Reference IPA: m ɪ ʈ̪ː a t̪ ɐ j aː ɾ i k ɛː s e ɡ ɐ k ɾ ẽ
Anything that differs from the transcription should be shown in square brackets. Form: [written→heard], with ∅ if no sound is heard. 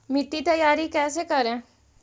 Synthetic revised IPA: m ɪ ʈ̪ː [a→i] t̪ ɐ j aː ɾ i k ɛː s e [ɡ→k] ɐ [k→∅] ɾ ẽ